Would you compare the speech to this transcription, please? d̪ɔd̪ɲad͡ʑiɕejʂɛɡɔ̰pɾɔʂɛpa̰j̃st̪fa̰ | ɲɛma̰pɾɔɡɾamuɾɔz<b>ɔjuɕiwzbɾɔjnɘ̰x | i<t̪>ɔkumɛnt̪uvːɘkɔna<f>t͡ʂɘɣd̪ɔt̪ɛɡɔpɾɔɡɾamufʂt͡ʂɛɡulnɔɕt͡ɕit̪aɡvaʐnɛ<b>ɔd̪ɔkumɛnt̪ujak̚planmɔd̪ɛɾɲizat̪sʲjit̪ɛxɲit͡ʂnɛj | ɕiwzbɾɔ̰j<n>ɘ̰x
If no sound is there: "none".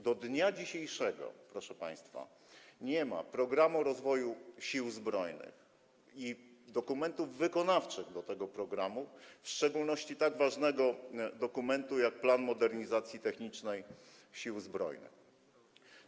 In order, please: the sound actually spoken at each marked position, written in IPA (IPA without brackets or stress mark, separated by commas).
v, d̪, f, ɡ, n